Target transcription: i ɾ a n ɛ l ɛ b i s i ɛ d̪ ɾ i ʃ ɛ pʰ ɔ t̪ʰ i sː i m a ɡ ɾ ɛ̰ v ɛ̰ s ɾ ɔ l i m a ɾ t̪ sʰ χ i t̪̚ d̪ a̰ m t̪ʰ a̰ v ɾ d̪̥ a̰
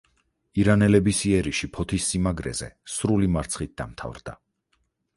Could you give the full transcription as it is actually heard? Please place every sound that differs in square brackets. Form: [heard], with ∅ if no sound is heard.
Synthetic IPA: i ɾ a n ɛ l ɛ b i s i ɛ [∅] ɾ i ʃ [i] pʰ ɔ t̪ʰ i sː i m a ɡ ɾ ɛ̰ [z] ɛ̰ s ɾ [u] l i m a ɾ t̪ sʰ χ i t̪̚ d̪ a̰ m t̪ʰ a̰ v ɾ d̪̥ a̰